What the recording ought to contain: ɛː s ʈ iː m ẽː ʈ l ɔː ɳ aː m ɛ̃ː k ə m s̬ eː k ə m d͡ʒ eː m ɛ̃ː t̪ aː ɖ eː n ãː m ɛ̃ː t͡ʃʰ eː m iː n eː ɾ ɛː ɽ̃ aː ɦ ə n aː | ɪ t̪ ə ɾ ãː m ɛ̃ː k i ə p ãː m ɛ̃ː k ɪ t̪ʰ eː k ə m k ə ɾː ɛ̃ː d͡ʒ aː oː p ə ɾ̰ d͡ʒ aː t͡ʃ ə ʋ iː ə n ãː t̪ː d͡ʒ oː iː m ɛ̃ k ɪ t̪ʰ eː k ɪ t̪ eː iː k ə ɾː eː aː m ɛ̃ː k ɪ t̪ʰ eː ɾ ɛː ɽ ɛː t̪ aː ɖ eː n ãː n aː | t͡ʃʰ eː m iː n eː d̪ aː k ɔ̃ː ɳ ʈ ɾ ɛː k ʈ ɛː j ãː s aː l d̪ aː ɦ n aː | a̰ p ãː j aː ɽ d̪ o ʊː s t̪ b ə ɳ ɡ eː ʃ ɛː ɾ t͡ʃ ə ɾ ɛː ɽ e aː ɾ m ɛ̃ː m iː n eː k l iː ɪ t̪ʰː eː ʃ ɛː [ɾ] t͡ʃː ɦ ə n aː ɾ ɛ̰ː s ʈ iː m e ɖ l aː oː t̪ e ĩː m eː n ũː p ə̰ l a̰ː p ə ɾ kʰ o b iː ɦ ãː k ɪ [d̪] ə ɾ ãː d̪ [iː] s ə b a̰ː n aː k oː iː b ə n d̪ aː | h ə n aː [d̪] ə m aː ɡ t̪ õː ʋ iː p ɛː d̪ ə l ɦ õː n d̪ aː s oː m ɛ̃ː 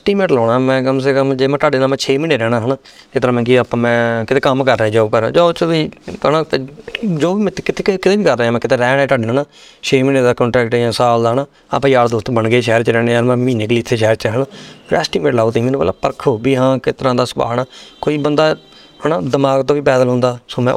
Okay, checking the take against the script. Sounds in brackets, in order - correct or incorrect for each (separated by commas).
correct, incorrect, incorrect, correct